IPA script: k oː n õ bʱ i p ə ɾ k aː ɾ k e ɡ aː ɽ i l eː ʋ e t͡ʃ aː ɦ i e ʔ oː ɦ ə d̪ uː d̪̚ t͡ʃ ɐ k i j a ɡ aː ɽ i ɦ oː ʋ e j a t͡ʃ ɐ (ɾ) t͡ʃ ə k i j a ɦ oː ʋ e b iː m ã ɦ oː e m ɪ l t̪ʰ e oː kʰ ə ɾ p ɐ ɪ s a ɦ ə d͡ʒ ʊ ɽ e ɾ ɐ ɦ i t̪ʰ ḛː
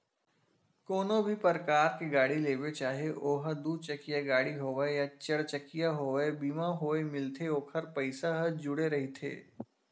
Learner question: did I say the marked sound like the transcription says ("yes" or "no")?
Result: no